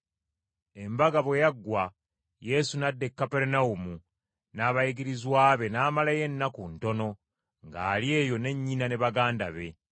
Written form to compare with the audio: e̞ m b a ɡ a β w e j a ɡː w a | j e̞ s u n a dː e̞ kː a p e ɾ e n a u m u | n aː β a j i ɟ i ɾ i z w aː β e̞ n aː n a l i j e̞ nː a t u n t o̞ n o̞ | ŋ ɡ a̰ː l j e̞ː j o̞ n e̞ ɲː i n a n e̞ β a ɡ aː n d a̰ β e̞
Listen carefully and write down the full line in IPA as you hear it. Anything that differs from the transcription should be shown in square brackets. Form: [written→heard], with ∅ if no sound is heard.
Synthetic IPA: e̞ m b a ɡ a β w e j a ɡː w a | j e̞ s u n a dː e̞ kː a p e ɾ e n a u m u | n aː β a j i [ɟ→ɡ] i ɾ i z w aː β e̞ n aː [n→m] a l [i→a] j e̞ nː a [t→k] u n t o̞ n o̞ | ŋ ɡ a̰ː l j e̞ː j o̞ n e̞ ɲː i n a n e̞ β a ɡ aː n d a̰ β e̞